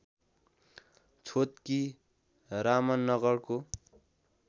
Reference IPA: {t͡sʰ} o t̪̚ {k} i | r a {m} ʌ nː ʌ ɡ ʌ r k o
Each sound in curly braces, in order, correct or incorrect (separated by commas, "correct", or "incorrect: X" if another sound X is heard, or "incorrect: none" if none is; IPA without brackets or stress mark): correct, correct, correct